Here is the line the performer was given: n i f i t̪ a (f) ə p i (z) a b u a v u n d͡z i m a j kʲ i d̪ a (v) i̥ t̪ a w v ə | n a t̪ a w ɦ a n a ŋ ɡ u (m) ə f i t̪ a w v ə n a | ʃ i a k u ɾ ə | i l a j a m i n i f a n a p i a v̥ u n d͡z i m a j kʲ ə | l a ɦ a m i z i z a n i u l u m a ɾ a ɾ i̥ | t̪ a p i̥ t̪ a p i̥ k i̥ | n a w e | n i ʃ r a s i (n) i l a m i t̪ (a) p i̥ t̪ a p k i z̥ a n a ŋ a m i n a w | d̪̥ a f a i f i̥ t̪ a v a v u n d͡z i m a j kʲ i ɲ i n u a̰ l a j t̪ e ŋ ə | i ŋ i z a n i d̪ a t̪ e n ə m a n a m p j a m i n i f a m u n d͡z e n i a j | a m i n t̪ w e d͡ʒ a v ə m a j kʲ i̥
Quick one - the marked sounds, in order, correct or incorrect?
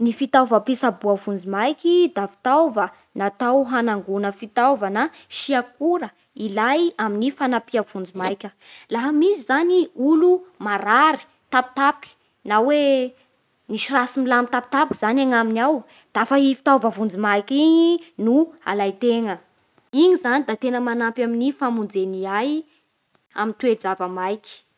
incorrect: v, incorrect: s, incorrect: f, incorrect: n, incorrect: m, correct

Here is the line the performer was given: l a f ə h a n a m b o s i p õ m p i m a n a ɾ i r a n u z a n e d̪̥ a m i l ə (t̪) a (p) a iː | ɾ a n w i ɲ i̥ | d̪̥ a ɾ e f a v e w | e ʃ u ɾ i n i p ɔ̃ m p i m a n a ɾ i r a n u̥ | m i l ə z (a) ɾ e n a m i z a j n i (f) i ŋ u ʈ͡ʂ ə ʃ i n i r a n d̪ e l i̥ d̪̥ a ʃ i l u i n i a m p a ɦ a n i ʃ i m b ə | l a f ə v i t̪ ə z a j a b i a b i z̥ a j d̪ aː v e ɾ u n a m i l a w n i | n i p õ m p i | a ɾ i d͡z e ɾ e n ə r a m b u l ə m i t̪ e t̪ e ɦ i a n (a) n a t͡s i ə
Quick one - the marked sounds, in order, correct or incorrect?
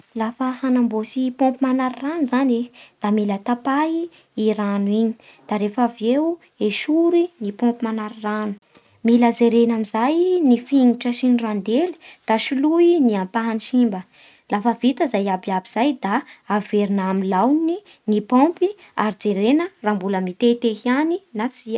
correct, correct, incorrect: e, correct, incorrect: i

